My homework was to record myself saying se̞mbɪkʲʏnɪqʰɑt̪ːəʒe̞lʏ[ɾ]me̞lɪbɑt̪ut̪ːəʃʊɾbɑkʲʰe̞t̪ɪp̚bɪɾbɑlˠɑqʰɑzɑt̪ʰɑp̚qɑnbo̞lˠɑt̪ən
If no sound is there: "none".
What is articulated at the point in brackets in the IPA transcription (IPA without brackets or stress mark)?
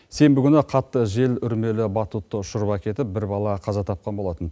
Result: ɾ